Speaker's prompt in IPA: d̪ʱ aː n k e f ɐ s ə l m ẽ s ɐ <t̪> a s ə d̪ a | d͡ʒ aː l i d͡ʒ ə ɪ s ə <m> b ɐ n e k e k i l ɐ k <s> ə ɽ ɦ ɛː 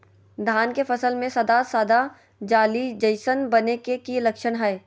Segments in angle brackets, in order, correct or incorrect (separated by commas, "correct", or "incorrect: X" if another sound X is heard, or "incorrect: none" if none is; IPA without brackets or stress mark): incorrect: d̪, incorrect: n, incorrect: ʃ